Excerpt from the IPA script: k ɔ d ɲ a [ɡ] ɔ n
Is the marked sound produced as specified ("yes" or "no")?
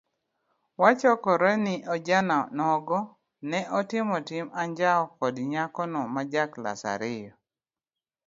no